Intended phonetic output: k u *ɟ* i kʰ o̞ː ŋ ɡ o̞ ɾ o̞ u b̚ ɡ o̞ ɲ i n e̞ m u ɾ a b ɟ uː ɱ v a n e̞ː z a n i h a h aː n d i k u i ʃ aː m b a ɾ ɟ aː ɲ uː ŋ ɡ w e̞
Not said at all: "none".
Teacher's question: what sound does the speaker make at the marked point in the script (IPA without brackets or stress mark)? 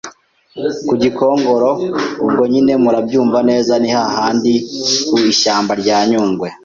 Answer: ɟ